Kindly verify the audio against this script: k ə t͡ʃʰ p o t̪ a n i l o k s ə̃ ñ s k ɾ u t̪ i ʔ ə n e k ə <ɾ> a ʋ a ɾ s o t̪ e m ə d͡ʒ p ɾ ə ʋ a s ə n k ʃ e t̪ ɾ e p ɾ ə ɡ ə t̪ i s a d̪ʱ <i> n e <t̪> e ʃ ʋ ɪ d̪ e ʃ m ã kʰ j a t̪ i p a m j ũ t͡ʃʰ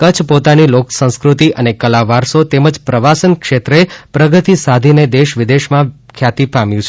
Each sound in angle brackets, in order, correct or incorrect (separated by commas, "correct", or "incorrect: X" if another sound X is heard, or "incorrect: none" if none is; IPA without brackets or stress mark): incorrect: l, correct, incorrect: d̪